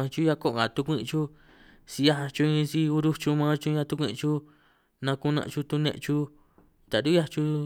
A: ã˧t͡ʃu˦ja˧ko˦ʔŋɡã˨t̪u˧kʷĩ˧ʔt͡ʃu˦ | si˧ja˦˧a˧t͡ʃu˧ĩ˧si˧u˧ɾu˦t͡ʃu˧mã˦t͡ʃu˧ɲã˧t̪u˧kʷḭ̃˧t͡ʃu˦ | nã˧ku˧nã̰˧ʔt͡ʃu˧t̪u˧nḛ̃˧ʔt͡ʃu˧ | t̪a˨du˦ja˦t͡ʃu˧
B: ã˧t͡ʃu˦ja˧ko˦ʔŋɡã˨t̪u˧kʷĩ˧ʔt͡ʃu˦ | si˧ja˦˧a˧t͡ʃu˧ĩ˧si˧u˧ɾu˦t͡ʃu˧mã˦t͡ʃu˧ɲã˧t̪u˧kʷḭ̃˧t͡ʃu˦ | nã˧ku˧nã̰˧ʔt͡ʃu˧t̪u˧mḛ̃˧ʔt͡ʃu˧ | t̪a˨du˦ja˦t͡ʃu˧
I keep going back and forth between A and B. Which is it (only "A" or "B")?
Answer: A